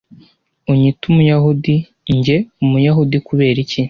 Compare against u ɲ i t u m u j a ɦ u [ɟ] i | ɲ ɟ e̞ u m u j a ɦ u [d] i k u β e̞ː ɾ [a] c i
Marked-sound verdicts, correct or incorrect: incorrect, correct, incorrect

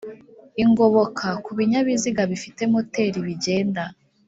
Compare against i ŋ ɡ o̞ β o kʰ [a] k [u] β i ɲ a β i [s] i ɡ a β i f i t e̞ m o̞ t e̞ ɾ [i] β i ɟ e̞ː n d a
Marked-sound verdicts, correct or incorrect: correct, correct, incorrect, correct

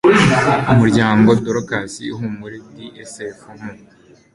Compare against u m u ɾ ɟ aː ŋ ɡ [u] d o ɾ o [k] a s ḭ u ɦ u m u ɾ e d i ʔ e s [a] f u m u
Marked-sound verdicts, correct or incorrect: incorrect, correct, incorrect

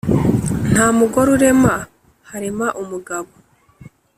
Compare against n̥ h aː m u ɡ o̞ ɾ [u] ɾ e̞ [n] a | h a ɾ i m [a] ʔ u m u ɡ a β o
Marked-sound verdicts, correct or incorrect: correct, incorrect, correct

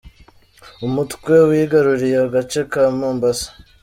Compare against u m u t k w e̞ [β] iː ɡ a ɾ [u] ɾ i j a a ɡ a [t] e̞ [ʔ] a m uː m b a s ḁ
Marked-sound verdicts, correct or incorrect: incorrect, correct, incorrect, incorrect

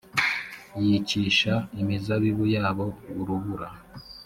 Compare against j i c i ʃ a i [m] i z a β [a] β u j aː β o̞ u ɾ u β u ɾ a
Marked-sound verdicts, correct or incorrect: correct, incorrect

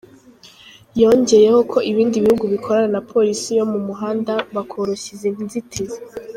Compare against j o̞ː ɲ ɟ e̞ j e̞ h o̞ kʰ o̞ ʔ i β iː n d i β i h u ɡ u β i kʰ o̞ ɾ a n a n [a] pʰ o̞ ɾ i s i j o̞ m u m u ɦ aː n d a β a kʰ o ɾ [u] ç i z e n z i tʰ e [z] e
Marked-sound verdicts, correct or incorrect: correct, incorrect, correct

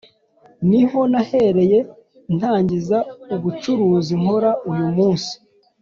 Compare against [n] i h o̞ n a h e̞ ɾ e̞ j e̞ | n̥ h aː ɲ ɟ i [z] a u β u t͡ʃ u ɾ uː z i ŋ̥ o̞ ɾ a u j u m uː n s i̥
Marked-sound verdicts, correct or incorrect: correct, correct

